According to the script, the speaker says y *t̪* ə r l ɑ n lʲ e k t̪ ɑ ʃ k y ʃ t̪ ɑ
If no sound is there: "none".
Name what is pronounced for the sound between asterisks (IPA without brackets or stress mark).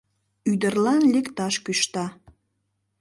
d̪